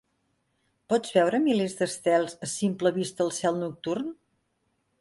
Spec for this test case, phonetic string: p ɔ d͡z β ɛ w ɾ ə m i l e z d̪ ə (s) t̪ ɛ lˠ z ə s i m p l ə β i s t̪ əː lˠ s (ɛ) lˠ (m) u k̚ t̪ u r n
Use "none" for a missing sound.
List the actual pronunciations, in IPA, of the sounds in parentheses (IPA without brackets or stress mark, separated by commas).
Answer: s, ɛ, n